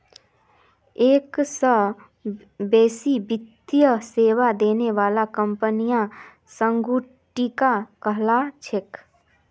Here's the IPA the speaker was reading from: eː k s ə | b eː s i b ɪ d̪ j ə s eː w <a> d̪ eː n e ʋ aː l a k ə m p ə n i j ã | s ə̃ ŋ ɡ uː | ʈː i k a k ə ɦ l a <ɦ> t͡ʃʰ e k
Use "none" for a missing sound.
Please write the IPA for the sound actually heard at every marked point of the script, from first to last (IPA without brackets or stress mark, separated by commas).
a, none